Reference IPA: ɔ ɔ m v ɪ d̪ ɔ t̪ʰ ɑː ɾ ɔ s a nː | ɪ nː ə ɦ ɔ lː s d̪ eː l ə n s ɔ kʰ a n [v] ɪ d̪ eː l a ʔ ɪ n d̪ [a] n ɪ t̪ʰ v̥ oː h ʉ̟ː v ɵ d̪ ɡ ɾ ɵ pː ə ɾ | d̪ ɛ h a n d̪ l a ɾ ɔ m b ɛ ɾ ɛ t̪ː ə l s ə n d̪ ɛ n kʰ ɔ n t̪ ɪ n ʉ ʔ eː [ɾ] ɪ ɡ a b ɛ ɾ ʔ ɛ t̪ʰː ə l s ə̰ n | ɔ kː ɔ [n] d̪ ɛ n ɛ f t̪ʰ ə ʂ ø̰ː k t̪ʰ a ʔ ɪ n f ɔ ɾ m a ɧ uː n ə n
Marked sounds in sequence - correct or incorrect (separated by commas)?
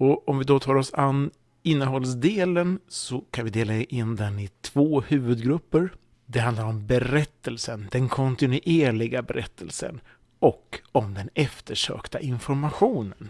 correct, incorrect, incorrect, incorrect